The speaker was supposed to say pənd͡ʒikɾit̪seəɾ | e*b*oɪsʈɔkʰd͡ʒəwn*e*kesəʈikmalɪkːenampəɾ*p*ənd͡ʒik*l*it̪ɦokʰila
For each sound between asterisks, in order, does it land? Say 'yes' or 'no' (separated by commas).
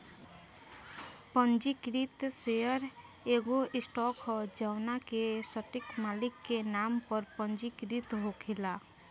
no, no, yes, no